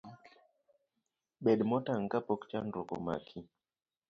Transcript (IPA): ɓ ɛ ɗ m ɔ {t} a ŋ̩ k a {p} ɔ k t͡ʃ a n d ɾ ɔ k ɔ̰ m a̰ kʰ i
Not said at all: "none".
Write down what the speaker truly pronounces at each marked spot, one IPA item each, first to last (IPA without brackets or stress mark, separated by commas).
t, p